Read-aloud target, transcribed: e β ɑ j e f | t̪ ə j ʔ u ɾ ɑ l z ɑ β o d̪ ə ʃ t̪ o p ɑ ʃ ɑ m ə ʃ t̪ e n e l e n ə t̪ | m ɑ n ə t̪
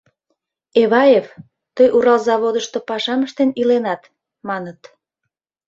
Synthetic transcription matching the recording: e β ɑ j e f | t̪ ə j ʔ u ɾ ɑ l z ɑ β o d̪ ə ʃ t̪ o p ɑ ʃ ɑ m ə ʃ t̪ e n i l e n ɑ t̪ | m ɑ n ə t̪

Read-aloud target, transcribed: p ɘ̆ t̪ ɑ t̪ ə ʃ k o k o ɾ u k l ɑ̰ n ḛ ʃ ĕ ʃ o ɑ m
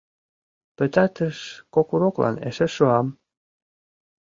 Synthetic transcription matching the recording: p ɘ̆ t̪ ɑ t̪ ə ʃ k o k u ɾ o k l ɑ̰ n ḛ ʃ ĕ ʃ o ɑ m

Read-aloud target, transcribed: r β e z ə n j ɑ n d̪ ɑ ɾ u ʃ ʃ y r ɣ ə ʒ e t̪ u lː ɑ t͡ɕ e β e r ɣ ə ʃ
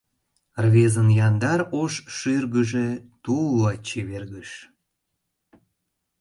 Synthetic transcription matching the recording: r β e z ə n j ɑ n d̪ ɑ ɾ o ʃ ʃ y r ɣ ə ʒ e t̪ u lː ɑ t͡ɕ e β e r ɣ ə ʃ

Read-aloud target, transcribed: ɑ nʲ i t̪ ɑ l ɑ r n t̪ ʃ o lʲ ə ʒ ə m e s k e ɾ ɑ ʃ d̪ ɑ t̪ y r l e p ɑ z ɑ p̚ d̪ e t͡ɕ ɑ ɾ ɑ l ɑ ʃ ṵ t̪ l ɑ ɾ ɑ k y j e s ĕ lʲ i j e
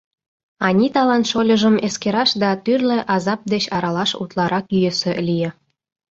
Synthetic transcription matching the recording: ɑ nʲ i t̪ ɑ l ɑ n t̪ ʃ o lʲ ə ʒ ə m e s k e ɾ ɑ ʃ d̪ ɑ t̪ y r l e ʔ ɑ z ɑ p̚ d̪ e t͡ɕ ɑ ɾ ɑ l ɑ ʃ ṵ t̪ l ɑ ɾ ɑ k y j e s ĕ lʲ i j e

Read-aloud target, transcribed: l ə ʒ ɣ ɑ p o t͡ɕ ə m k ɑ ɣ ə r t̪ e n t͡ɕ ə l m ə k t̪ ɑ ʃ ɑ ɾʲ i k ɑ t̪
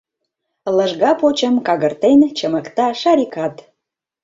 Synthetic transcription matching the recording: l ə ʒ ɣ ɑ p o t͡ɕ ə m k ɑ ɣ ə r t̪ e n t͡ɕ ə m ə k t̪ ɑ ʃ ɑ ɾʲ i k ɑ t̪

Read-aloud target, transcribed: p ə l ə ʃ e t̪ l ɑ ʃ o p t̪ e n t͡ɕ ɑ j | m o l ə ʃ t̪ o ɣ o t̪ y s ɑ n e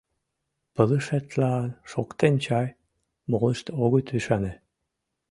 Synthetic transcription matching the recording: p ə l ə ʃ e t̪ l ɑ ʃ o k t̪ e n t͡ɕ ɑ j | m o l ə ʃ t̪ o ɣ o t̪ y ʃ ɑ n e

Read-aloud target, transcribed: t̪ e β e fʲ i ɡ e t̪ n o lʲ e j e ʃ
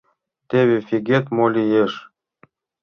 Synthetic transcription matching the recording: t̪ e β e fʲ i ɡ e t̪ m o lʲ i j e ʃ

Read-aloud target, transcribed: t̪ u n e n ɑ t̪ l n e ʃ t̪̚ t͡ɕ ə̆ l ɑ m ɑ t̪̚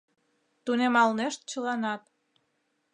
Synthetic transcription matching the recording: t̪ u n e m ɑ l n e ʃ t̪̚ t͡ɕ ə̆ l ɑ n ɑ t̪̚

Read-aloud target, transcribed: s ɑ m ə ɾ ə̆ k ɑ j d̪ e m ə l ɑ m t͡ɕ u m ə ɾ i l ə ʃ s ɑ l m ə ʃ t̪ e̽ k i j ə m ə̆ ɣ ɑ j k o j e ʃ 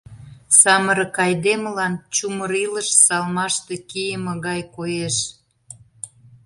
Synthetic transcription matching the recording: s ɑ m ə ɾ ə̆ k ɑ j d̪ e m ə l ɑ n t͡ɕ u m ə ɾ i l ə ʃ s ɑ l m ɑ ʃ t̪ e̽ k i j ə m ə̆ ɣ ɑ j k o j e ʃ

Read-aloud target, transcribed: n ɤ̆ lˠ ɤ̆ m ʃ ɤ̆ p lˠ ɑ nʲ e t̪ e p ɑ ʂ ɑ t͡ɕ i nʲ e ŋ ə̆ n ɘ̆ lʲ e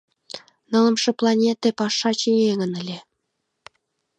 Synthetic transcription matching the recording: n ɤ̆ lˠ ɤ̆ m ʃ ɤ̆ p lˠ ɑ nʲ e t̪ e p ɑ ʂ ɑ t͡ɕ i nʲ e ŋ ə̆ n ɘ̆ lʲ e

